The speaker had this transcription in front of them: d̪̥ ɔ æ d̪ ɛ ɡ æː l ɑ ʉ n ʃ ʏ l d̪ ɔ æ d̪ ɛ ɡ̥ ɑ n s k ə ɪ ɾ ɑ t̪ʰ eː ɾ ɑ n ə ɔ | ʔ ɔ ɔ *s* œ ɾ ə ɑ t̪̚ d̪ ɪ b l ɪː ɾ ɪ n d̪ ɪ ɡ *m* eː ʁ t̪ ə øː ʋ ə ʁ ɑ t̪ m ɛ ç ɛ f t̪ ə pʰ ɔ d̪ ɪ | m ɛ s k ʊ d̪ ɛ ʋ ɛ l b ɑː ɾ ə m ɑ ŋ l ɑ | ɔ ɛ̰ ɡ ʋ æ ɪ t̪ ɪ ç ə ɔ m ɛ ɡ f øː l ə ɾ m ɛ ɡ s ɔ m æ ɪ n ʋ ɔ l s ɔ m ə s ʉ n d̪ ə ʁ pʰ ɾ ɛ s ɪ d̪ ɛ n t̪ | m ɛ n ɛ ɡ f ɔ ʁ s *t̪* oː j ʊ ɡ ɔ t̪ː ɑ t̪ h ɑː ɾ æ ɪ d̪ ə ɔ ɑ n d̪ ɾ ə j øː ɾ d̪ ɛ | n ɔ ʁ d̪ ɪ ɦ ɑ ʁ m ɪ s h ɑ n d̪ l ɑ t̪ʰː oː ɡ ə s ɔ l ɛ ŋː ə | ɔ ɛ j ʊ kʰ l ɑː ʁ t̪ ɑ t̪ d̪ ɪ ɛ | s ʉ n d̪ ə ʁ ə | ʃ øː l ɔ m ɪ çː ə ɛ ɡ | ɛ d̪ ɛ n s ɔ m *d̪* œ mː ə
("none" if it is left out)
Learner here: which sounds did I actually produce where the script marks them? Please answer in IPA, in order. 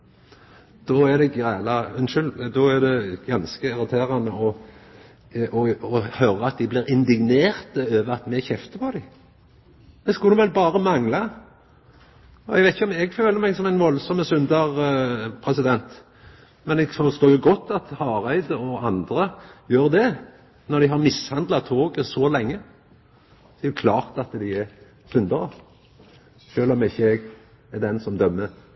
h, n, t̪, d̪

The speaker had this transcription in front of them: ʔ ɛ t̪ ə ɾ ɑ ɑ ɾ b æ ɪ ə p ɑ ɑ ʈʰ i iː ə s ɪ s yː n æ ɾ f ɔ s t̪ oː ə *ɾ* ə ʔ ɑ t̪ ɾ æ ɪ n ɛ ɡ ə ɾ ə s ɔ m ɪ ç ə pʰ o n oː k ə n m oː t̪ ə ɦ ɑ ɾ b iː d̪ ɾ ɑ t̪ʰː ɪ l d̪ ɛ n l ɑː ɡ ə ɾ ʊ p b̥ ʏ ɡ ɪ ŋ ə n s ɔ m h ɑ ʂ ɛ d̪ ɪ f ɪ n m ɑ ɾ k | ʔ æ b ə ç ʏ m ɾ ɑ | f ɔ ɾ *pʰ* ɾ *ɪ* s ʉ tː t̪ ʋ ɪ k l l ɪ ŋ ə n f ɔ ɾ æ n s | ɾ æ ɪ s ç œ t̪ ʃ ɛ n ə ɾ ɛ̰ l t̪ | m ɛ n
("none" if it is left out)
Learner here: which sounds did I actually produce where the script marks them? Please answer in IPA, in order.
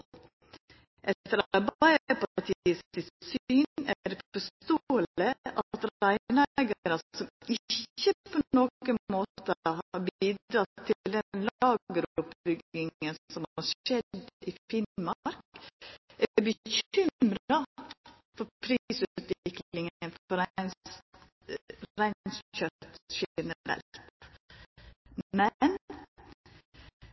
l, pʰ, i

